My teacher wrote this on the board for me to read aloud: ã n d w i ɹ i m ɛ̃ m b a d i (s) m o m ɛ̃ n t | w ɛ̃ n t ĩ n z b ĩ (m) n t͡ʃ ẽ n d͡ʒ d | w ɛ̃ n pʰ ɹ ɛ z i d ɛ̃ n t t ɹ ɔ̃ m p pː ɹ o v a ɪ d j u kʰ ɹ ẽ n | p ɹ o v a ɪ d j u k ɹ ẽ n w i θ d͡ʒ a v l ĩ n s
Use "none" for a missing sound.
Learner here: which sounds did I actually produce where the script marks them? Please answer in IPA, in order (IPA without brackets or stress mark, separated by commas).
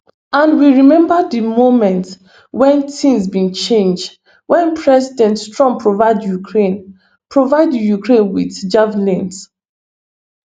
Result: none, none